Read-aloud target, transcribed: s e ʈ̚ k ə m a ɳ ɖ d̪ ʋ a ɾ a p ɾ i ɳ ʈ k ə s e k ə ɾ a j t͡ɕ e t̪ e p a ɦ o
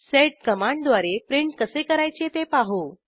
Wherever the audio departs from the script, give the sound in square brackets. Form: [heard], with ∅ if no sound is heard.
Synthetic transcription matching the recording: s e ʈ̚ k ə m a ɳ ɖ d̪ ʋ a ɾ [e] p ɾ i ɳ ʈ k ə s e k ə ɾ a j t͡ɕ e t̪ e p a ɦ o

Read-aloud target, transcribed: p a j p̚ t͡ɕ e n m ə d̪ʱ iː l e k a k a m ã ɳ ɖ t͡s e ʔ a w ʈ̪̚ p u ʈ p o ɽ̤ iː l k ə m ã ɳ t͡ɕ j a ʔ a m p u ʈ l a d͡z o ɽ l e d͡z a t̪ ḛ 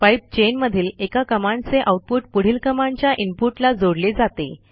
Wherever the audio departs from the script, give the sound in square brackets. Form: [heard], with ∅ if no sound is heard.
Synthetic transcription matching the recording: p a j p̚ t͡ɕ e n m ə d̪ʱ iː l e k a k [ə] m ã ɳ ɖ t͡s e ʔ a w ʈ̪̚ p u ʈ p [u] ɽ̤ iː l k ə m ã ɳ t͡ɕ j a ʔ [i] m p u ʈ l a d͡z o ɽ l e d͡z a t̪ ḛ

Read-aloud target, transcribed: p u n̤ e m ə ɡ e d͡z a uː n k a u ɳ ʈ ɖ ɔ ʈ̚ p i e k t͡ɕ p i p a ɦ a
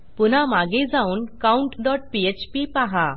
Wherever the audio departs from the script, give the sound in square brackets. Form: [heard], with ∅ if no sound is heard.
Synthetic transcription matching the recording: p u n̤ [a] m [a] ɡ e d͡z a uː n k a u ɳ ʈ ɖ ɔ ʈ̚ p i e [∅] t͡ɕ p i p a ɦ a

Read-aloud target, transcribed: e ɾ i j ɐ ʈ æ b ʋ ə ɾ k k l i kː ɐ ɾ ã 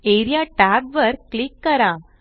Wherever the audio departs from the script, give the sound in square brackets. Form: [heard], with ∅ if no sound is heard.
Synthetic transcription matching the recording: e ɾ i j [a] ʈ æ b ʋ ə ɾ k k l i kː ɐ ɾ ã

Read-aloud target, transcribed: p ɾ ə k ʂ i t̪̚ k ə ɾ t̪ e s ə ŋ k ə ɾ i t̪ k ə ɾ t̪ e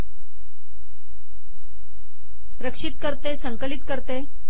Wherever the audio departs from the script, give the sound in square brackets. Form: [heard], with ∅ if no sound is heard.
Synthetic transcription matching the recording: p ɾ ə k ʂ i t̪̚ k ə ɾ t̪ e s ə ŋ k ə [l] i t̪ k ə ɾ t̪ e

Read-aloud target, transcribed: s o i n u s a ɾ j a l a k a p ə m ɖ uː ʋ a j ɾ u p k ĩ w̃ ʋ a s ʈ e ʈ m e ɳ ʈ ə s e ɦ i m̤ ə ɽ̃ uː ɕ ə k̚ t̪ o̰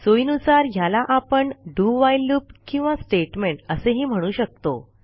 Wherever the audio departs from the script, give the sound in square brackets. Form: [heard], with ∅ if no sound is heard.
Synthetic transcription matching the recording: s o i n u s a ɾ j a l a [ʔ] a p ə [ɳ] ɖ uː ʋ a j [l] u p k ĩ w̃ ʋ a s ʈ e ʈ m e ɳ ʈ ə s e ɦ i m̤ ə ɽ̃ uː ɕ ə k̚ t̪ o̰

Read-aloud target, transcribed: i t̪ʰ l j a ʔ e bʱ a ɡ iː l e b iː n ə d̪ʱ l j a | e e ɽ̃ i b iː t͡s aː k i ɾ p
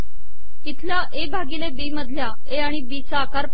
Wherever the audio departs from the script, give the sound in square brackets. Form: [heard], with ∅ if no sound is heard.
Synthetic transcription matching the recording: i t̪ʰ l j a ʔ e bʱ a ɡ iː l e b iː [m] ə d̪ʱ l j a | e [a] ɽ̃ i b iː t͡s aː k [a] ɾ p

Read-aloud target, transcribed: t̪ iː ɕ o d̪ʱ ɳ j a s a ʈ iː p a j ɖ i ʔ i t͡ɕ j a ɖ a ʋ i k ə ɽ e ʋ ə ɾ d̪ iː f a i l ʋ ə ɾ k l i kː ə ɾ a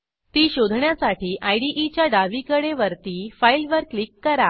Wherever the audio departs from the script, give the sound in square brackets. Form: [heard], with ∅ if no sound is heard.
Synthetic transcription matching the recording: t̪ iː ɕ o d̪ʱ ɳ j a s a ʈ iː [ʔ] a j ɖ i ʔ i t͡ɕ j a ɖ a ʋ i k ə ɽ e ʋ ə ɾ [t̪] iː f a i l ʋ ə ɾ k l i kː ə ɾ a

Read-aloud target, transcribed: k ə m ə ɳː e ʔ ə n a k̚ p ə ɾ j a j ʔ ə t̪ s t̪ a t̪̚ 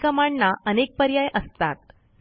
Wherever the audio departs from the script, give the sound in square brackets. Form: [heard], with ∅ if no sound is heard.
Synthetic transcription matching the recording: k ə m [a] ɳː [a] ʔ ə n [e] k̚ p ə ɾ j a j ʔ ə [∅] s t̪ a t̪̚

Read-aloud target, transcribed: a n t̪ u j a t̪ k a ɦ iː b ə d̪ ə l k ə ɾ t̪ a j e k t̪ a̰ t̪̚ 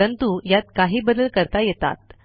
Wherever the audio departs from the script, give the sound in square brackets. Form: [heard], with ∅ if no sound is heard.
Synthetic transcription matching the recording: [ə] n t̪ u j a t̪ k a ɦ iː b ə d̪ ə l k ə ɾ t̪ a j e [∅] t̪ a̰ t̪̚

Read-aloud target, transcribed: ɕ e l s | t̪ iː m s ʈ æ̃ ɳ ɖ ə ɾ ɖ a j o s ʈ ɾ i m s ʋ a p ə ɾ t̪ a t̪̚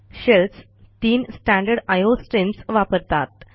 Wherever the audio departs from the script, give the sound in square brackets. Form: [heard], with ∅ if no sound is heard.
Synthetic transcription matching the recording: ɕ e l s | t̪ iː [n] s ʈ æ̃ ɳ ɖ ə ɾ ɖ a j o s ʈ ɾ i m s ʋ a p ə ɾ t̪ a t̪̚

